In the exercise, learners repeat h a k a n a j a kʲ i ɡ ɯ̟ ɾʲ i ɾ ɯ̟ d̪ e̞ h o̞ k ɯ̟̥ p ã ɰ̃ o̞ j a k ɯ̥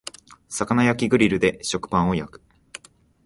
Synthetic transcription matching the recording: s a k a n a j a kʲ i ɡ ɯ̟ ɾʲ i ɾ ɯ̟ d̪ e̞ ɕ o̞ k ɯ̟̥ p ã ɰ̃ o̞ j a k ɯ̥